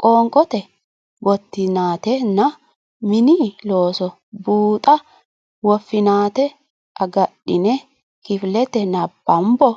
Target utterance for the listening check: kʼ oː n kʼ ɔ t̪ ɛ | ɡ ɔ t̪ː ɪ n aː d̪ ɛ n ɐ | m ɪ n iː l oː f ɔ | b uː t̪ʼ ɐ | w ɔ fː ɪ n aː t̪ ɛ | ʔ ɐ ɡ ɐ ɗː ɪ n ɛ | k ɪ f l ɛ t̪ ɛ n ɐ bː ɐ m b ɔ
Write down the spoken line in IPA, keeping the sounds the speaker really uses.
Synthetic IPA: kʼ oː ŋ kʼ ɔ t̪ ɛ | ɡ ɔ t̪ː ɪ n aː t̪ ɛ n ɐ | m ɪ n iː l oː s ɔ | b uː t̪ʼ ɐ | w ɔ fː ɪ n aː t̪ ɛ | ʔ ɐ ɡ ɐ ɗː ɪ n ɛ | k ɪ f l ɛ t̪ ɛ n ɐ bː ɐ m b ɔ